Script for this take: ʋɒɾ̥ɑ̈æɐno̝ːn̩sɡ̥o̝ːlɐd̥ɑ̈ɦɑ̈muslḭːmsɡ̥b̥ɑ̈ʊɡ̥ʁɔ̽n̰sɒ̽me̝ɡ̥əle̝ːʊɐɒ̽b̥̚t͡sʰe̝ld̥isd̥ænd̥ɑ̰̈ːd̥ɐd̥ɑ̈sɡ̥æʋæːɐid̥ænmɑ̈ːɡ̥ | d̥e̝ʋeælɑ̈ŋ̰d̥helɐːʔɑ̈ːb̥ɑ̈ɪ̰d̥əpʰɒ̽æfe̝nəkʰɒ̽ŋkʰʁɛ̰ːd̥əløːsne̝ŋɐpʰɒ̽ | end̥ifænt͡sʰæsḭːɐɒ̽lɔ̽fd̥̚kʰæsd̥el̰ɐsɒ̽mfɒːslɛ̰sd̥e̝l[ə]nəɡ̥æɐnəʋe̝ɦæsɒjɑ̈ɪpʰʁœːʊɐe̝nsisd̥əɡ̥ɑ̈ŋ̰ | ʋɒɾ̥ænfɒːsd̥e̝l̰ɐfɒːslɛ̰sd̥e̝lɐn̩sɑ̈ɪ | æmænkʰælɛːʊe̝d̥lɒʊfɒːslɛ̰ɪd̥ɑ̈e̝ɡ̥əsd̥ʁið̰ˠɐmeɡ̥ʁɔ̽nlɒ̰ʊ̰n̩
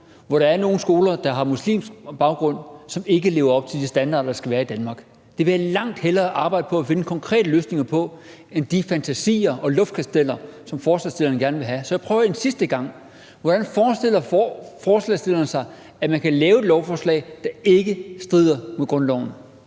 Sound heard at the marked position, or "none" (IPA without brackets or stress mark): ɐ